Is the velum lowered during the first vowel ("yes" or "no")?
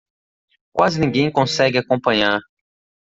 no